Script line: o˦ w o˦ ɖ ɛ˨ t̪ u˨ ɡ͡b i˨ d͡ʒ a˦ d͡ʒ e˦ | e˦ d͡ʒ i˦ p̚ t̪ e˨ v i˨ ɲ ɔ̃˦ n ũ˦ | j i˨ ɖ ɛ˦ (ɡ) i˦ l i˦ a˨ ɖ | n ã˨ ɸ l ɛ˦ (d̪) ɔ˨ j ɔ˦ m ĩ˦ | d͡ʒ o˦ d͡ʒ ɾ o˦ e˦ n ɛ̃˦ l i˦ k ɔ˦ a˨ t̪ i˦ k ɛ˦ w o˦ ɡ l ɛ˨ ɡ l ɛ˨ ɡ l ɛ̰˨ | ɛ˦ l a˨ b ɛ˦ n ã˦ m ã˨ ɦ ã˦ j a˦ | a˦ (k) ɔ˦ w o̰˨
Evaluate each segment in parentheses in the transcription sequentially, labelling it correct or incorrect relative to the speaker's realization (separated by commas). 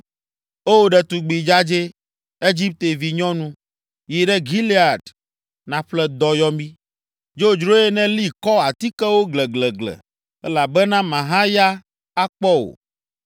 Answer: correct, correct, incorrect